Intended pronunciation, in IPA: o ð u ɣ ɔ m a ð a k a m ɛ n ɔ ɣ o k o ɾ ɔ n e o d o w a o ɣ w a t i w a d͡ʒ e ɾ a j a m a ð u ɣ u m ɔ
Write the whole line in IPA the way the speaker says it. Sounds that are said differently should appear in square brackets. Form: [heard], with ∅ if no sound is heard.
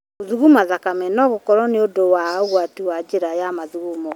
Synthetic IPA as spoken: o ð u ɣ [u] m a ð a k a m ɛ n ɔ ɣ o k [ɔ] ɾ ɔ n e o d o w a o ɣ w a t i w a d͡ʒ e ɾ a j a m a ð u ɣ u m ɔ

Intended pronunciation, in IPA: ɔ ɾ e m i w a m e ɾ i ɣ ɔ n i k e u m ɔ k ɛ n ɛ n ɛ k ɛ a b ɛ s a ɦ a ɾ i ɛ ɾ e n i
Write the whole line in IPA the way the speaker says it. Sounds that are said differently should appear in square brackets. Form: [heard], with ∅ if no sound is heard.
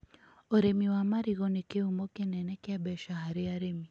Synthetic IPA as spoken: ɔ ɾ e m i w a m [a] ɾ i ɣ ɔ n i k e u m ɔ k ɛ n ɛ n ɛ k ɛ a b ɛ [ʃ] a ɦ a ɾ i [a] ɾ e [m] i

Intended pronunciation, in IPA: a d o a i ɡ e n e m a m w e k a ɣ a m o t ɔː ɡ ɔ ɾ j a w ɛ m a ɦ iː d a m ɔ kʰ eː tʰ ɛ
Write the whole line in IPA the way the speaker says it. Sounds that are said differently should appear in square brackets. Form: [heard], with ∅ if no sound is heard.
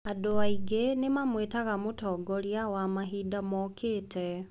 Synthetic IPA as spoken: a d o a i ɡ e n e m a m w e [t] a ɣ a m o t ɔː ɡ ɔ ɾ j a w [a] m a ɦ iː d a m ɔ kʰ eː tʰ ɛ

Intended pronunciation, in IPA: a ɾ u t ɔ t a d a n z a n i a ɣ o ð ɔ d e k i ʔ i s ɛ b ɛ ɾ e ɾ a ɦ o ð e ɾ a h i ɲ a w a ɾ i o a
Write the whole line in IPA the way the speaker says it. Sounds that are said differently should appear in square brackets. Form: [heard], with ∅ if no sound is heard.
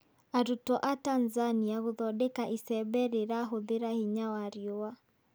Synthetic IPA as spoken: a ɾ u t ɔ [ʔ] a [t] a n z a n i a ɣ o ð ɔ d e k [a] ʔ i s ɛ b ɛ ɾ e ɾ a ɦ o ð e ɾ a h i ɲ a w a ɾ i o a

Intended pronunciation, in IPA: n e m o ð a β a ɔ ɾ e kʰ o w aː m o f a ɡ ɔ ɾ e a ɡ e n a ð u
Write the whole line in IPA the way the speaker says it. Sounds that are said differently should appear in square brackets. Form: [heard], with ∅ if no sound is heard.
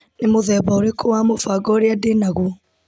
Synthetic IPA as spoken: n e m o ð [ɛ] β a [o] ɾ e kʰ o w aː m o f a ɡ ɔ ɾ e a [d] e n a [ɣ] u

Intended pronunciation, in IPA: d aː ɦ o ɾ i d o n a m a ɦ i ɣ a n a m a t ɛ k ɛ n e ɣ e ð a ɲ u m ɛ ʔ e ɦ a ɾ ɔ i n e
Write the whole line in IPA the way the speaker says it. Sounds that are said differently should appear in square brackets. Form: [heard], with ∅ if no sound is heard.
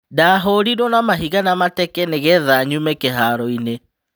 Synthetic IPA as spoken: d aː ɦ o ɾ i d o n a m a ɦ i ɣ a n a m a t ɛ k ɛ n e ɣ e ð a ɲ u m ɛ [k] e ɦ a ɾ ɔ i n e

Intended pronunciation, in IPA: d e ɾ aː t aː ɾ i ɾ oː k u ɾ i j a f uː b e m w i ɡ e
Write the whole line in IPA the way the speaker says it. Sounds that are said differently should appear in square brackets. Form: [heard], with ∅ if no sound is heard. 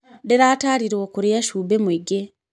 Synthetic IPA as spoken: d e ɾ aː t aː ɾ i ɾ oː k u ɾ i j a [ʃ] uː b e m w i ɡ e

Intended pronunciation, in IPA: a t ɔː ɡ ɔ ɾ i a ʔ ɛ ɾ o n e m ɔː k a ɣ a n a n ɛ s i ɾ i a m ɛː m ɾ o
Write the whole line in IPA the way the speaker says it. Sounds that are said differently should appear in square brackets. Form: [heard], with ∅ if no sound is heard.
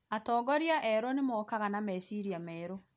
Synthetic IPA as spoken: a t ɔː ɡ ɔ ɾ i a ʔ ɛ ɾ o n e m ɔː k a ɣ a n a [m] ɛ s i ɾ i a m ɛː [∅] ɾ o

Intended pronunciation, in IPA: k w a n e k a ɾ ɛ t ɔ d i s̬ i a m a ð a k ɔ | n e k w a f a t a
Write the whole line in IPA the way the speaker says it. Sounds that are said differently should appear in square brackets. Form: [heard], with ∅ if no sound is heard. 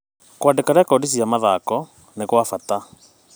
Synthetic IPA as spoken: k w a [d] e k a ɾ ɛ [k] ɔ d i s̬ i a m a ð a k ɔ | n e k w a f a t a

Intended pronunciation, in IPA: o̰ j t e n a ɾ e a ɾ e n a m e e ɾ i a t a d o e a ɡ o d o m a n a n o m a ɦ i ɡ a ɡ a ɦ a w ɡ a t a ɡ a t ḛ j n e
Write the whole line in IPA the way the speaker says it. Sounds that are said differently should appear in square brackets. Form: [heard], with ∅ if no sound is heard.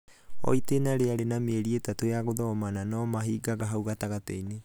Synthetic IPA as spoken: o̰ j t e n a ɾ e a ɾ e n a m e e ɾ i [e] t a [t] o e a ɡ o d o m a n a n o m a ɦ i ɡ a ɡ a ɦ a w ɡ a t a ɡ a t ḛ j n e

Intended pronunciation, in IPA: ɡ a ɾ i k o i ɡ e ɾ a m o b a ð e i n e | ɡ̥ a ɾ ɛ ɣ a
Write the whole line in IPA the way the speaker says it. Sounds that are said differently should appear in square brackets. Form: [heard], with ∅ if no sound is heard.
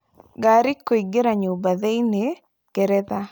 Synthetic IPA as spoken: ɡ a ɾ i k o i ɡ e ɾ a [ɲ] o b a ð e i n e | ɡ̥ [ɛ] ɾ ɛ [ð] a

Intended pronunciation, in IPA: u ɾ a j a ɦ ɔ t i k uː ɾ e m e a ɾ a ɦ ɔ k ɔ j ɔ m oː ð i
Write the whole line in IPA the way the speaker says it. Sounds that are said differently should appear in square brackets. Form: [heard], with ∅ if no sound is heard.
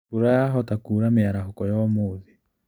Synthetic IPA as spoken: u ɾ a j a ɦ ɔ t [a] k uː ɾ [a] m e a ɾ a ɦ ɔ k ɔ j ɔ m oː ð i

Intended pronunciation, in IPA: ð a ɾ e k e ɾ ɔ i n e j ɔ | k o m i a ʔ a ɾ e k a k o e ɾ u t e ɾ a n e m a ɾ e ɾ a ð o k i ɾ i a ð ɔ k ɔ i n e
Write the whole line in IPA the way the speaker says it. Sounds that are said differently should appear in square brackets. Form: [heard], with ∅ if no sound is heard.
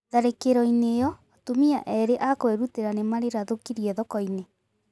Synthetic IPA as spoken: ð a ɾ e k e ɾ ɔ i n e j ɔ | [t] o m i a ʔ [ɛ] ɾ e [ʔ] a k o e ɾ u t e ɾ a n e m a ɾ e ɾ a ð o k i ɾ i [ɛ] ð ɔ k ɔ i n e

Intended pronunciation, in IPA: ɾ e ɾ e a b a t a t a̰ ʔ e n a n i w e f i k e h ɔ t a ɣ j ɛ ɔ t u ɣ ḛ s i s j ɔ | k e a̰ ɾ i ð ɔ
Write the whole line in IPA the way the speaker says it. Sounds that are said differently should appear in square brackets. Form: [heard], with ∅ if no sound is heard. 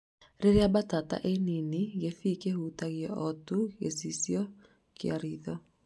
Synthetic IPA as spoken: ɾ e ɾ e a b a t a t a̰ ʔ e n [i] n i [ɣ] e f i k e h [u] t a ɣ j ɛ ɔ t u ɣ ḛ s i s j ɔ | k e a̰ ɾ i ð ɔ

